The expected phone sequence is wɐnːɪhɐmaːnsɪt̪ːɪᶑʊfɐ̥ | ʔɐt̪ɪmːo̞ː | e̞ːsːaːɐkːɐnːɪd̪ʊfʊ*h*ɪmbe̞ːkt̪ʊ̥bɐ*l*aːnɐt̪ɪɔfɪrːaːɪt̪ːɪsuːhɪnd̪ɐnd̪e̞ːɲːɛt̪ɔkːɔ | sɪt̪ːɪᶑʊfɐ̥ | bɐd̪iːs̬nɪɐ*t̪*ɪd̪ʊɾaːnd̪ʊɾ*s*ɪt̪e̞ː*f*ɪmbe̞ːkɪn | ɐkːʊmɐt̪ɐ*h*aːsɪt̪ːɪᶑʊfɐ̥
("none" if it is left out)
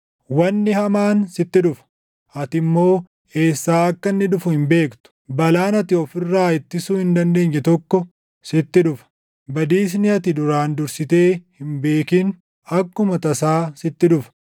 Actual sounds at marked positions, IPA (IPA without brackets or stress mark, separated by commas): h, l, t̪, s, h, s